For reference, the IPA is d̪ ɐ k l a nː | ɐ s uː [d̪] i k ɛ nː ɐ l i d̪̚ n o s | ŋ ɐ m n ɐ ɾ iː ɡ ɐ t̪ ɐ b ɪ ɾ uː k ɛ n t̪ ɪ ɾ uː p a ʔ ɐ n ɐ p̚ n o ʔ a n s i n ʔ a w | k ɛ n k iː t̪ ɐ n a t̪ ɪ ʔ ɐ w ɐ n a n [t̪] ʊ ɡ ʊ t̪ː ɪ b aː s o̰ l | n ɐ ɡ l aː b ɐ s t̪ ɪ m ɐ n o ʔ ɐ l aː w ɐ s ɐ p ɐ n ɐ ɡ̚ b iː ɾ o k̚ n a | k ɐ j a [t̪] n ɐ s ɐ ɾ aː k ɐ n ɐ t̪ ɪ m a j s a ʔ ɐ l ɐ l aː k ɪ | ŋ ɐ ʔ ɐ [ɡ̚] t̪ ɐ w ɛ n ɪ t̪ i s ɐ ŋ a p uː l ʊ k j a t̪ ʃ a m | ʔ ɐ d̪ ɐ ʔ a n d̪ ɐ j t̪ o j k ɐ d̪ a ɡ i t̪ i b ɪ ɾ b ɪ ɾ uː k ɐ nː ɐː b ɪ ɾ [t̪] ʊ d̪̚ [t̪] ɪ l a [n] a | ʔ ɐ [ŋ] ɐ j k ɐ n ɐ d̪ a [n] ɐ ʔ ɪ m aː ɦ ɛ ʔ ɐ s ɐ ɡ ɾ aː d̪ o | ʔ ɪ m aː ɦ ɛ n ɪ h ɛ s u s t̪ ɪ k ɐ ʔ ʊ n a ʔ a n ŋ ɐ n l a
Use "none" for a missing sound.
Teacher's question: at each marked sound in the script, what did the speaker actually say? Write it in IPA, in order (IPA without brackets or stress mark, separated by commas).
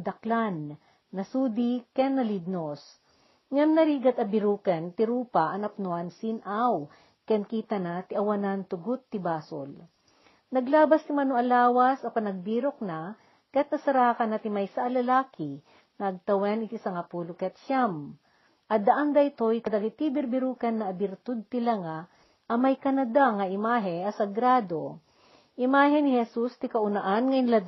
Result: d̪, t̪, t̪, ɡ̚, t̪, t̪, ŋ, m, ŋ